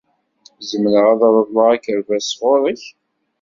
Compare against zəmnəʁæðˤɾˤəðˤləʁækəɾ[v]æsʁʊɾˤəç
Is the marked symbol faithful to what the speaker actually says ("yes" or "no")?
yes